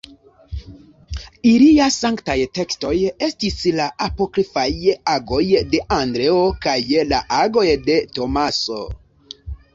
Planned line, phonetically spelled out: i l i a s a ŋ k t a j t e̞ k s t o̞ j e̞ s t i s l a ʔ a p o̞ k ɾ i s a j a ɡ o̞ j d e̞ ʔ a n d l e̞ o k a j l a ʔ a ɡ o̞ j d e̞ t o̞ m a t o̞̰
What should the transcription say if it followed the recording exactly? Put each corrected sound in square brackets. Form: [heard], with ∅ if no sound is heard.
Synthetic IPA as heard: i l i a s a ŋ k t a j t e̞ k s t o̞ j e̞ s t i s l a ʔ a p o̞ k ɾ i [f] a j a ɡ o̞ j d e̞ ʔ a n d [ɾ] e̞ o k a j l a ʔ a ɡ o̞ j d e̞ t o̞ m a [s] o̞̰